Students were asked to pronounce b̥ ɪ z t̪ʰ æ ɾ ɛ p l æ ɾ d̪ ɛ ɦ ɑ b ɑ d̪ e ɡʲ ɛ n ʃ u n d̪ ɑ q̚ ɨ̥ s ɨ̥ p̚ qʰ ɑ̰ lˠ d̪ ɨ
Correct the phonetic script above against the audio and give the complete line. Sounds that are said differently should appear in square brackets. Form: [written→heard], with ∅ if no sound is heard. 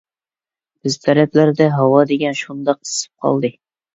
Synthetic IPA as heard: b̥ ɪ z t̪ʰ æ ɾ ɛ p l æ ɾ d̪ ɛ ɦ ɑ [b→w] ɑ d̪ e ɡʲ ɛ n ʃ u n d̪ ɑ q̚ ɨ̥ s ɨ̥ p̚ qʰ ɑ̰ lˠ d̪ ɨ